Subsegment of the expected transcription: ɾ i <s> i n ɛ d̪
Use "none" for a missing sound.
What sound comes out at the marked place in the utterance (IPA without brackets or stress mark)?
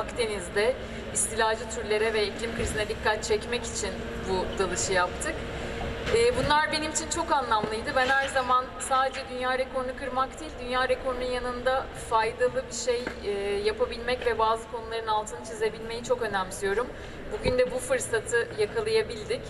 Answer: z